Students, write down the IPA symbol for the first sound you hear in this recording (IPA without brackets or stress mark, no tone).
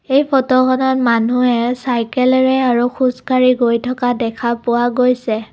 e